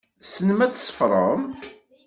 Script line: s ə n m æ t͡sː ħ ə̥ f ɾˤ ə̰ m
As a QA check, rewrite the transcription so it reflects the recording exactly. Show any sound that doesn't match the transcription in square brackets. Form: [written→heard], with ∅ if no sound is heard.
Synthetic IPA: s ə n m æ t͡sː [ħ→s] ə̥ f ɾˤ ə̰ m